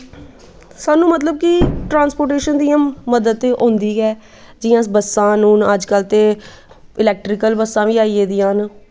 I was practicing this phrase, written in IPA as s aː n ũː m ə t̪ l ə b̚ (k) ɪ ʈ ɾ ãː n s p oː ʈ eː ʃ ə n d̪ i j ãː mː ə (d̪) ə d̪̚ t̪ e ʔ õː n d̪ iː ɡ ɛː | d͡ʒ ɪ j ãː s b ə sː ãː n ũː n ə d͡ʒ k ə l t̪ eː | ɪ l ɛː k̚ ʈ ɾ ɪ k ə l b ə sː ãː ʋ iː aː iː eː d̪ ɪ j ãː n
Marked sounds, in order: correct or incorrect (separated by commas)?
correct, correct